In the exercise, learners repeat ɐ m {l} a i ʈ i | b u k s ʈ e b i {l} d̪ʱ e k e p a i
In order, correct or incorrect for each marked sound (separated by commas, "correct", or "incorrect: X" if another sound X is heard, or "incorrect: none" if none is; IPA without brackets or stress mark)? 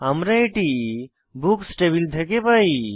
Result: incorrect: ɾ, correct